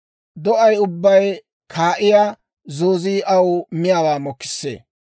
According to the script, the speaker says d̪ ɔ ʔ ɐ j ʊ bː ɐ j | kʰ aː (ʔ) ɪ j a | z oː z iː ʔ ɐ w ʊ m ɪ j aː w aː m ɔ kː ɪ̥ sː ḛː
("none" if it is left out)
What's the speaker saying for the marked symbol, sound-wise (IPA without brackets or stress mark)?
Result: ʔ